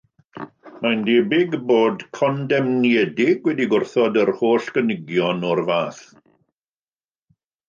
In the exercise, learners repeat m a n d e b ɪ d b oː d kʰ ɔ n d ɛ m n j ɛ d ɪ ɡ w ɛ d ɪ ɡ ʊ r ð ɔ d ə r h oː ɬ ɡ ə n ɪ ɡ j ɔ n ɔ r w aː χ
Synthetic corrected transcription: m a n d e b ɪ ɡ b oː d kʰ ɔ n d ɛ m n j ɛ d ɪ ɡ w ɛ d i ɡ ʊ r θ ɔ d ə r h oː ɬ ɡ ə n ɪ ɡ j ɔ n ɔ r v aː θ